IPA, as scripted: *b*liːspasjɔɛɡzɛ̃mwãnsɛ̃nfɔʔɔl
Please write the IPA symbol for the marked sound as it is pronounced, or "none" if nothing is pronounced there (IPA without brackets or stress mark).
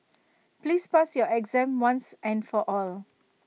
p